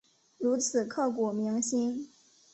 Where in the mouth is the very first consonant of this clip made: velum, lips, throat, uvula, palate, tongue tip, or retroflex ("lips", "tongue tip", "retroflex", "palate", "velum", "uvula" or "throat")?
retroflex